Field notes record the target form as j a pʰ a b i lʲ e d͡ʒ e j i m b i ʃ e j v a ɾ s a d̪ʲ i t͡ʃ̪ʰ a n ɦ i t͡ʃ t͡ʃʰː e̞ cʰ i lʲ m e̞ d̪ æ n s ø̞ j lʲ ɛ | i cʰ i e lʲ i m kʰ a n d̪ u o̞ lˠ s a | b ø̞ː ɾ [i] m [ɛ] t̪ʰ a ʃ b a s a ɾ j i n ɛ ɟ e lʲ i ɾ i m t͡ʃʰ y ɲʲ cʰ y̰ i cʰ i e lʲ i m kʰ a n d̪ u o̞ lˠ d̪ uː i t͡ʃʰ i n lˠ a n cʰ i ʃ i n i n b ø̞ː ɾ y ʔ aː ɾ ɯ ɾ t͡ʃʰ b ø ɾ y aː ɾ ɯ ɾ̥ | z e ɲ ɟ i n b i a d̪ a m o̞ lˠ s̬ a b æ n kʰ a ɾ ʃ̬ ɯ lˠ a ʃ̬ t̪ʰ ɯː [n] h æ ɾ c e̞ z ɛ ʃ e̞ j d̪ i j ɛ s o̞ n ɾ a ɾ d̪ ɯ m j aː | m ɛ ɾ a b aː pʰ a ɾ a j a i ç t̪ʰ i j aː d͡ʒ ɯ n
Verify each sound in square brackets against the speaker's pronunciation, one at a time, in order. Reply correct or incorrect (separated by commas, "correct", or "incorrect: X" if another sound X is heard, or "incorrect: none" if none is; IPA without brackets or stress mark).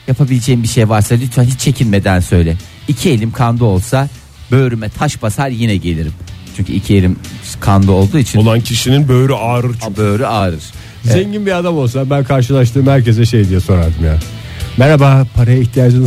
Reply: incorrect: y, correct, incorrect: m